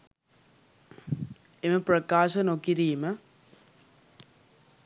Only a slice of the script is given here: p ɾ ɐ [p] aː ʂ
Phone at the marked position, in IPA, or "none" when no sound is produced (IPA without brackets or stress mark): k